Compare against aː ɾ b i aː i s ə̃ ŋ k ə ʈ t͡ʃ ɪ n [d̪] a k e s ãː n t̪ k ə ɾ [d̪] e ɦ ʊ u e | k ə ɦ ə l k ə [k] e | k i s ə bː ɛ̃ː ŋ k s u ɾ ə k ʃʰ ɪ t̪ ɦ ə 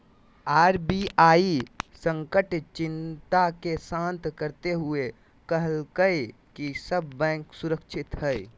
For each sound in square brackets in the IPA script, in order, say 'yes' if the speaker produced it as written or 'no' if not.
no, no, no

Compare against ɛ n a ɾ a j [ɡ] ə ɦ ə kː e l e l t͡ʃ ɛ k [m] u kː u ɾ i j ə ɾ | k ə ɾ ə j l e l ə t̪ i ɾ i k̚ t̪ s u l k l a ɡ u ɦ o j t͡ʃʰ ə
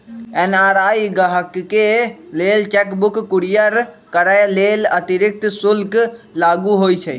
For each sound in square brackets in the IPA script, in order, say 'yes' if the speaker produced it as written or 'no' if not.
yes, no

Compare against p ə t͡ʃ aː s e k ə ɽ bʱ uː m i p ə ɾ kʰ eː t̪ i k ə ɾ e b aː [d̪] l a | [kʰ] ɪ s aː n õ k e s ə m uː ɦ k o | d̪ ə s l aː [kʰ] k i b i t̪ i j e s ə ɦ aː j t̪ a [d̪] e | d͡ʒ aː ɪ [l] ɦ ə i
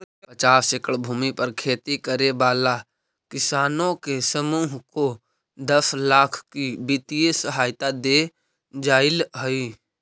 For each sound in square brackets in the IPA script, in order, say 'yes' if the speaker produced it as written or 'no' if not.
no, no, yes, yes, yes

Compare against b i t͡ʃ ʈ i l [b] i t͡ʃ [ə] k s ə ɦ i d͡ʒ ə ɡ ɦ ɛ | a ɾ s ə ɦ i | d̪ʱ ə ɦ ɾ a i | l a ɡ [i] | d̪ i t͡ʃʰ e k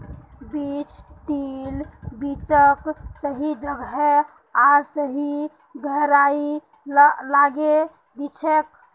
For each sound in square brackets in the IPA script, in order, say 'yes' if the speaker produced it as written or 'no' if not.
yes, yes, no

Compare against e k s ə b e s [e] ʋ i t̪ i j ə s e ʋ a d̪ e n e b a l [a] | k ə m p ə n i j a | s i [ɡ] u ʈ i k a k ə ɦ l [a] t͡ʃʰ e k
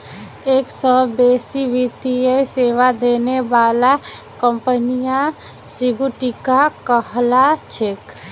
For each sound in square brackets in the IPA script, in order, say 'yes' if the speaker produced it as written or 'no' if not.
no, yes, yes, yes

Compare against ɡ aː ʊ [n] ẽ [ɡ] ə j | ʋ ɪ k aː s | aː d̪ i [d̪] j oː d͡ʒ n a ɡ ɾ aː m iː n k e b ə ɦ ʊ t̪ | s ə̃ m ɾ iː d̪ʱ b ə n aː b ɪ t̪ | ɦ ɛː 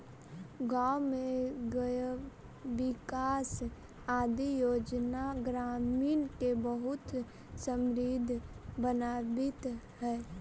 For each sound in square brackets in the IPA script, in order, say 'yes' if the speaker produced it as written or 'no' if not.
no, yes, no

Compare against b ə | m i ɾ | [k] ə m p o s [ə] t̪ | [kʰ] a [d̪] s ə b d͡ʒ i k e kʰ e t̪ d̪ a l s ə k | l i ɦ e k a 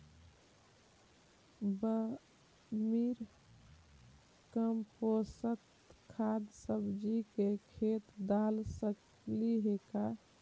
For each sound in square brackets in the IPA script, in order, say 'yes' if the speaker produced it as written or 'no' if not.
yes, yes, yes, yes

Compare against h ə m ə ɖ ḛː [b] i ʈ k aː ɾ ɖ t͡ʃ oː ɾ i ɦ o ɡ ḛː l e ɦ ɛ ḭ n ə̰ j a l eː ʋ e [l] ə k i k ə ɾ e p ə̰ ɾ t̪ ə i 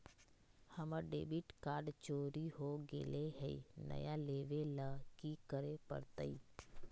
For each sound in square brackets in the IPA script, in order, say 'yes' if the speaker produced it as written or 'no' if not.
yes, yes

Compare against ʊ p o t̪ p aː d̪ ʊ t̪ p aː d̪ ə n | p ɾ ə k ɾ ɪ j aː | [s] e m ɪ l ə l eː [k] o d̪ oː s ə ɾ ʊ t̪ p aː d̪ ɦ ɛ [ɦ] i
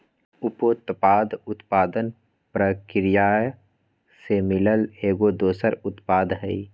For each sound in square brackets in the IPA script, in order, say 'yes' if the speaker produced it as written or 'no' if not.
yes, no, no

